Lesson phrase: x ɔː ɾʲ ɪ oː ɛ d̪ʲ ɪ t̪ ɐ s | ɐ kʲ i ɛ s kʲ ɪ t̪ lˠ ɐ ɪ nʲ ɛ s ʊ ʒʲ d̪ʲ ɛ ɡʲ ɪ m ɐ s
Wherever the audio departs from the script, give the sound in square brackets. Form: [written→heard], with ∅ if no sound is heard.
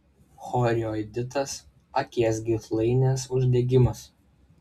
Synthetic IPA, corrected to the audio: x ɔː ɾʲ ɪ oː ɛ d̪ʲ ɪ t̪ ɐ s | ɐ kʲ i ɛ s [kʲ→ɡʲ] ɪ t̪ lˠ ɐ ɪ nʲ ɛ s ʊ ʒʲ d̪ʲ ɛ ɡʲ ɪ m ɐ s